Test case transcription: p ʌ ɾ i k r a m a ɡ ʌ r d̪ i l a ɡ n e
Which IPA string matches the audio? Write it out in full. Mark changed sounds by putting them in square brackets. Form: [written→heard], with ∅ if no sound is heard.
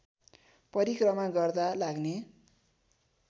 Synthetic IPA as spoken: p ʌ ɾ i k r [a→ʌ] m a ɡ ʌ r d̪ [i→a] l a ɡ n e

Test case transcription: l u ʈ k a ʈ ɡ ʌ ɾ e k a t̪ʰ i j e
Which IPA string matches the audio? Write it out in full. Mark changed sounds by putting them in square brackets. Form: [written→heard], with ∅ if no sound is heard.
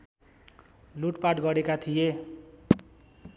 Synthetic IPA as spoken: l u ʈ [k→p] a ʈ ɡ ʌ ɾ e k a t̪ʰ i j e

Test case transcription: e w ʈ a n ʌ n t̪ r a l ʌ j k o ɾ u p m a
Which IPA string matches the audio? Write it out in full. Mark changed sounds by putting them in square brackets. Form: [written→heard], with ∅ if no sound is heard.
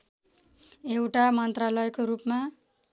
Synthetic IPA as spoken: e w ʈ a [n→m] ʌ n t̪ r a l ʌ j k o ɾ u p m a

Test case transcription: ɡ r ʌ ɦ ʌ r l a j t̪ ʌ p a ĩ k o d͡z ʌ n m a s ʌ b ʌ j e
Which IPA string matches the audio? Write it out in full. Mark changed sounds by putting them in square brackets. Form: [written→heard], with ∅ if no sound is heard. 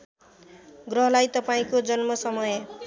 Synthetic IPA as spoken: ɡ r ʌ ɦ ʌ [r→∅] l a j t̪ ʌ p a ĩ k o d͡z ʌ n m [a→ʌ] s ʌ [b→m] ʌ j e

